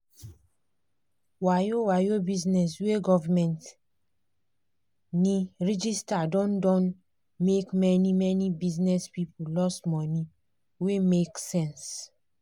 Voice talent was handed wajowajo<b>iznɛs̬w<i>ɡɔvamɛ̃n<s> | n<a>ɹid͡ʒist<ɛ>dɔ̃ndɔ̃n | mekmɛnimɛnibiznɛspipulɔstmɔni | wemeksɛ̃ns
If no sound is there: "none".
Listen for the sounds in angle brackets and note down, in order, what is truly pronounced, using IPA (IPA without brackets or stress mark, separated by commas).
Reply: b, e, t, i, a